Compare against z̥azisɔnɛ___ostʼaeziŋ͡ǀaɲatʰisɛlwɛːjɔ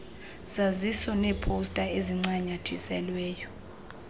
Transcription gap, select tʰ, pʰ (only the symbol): pʰ